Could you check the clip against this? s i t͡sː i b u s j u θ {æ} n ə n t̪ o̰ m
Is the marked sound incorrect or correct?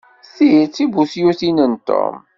incorrect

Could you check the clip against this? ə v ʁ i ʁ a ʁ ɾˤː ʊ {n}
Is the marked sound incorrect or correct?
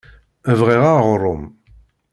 incorrect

